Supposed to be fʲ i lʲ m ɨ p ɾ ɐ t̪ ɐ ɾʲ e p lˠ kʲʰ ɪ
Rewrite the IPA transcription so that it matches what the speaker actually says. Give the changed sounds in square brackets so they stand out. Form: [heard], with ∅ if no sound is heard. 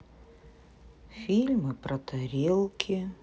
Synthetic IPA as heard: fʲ i lʲ m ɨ p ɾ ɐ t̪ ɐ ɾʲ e [∅] lˠ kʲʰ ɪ